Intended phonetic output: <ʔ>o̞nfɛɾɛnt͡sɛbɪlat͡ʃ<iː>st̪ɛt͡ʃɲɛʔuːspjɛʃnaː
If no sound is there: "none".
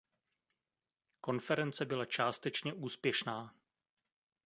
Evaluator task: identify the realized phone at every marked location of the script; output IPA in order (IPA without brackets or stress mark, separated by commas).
k, aː